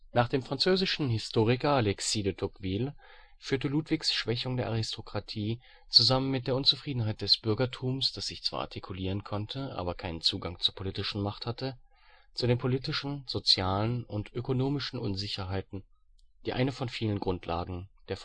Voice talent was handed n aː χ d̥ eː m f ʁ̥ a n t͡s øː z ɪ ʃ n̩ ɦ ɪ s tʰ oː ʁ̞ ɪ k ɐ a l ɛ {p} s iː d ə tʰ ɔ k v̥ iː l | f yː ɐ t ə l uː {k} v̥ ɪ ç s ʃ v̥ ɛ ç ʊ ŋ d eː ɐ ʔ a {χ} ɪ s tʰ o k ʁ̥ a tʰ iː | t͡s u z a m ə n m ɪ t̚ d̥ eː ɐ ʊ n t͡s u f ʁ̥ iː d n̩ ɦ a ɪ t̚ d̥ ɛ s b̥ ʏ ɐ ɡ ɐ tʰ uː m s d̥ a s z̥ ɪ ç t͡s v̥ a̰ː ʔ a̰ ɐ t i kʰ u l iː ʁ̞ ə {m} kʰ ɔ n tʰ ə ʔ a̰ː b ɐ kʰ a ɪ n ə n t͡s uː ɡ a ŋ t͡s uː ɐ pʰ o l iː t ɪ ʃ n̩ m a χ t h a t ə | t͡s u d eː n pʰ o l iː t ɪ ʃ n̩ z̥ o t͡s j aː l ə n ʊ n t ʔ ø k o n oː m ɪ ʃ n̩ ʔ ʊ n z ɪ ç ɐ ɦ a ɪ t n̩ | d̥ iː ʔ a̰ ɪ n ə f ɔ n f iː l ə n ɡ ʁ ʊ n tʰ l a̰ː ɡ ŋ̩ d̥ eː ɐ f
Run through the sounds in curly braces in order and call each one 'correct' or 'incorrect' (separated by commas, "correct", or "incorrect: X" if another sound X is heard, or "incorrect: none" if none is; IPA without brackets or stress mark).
incorrect: k, incorrect: t, incorrect: ʁ, incorrect: n